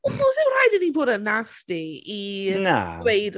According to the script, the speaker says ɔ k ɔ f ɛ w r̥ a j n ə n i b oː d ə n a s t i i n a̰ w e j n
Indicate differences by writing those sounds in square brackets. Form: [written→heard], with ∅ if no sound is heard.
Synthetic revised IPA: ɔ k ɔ [f→s] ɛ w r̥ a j [n→d] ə n i b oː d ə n a s t i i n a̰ w e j [n→d]